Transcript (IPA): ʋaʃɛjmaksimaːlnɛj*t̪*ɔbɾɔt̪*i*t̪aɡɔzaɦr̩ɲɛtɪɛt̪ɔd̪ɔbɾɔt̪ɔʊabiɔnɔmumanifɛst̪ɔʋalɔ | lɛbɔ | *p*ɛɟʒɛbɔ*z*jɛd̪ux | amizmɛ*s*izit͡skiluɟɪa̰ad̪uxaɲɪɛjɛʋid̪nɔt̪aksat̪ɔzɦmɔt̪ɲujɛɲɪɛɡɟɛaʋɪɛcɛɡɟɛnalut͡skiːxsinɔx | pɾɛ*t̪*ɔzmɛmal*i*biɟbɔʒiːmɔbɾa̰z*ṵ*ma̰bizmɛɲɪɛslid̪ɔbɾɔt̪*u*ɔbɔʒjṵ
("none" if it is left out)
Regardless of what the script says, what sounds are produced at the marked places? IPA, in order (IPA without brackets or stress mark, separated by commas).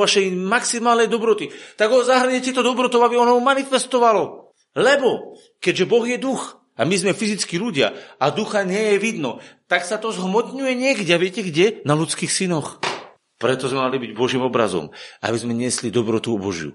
d̪, i, k, ɣ, f, t̪, i, ɔ̰, u